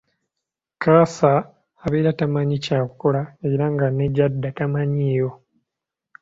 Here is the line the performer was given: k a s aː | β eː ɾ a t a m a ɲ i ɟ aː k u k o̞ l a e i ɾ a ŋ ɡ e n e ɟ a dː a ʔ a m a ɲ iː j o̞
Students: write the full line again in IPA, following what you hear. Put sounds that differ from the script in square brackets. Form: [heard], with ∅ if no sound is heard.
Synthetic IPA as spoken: k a s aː | β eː ɾ a t a m a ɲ i [c] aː k u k o̞ l a e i ɾ a ŋ ɡ [a] n e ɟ a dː a [t] a m a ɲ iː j o̞